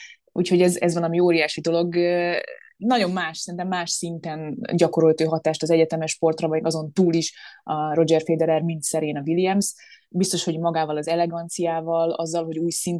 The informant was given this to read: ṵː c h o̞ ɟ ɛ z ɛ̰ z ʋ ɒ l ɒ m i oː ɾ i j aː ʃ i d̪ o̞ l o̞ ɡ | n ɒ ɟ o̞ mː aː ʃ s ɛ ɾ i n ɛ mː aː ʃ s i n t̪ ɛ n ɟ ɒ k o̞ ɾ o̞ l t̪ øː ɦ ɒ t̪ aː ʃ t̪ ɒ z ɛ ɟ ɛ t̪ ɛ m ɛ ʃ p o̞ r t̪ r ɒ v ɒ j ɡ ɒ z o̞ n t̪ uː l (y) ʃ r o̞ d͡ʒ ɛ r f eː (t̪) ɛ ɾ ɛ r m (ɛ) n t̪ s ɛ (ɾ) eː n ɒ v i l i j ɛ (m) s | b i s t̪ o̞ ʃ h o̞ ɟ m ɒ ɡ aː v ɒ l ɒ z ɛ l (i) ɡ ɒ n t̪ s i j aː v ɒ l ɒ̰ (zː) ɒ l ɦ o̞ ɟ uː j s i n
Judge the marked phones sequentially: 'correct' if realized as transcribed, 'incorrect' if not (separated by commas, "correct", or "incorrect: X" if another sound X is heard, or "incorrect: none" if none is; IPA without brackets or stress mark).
incorrect: i, incorrect: d̪, incorrect: i, correct, correct, incorrect: ɛ, correct